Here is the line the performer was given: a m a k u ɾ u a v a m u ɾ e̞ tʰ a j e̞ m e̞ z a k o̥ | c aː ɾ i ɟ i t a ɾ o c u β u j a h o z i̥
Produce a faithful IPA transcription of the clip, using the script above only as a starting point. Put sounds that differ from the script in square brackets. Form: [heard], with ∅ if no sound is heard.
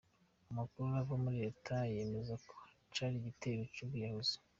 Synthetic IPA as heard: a m a k u ɾ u a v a m u ɾ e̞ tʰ a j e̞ m e̞ z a k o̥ | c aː ɾ i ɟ i t [e] ɾ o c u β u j a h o z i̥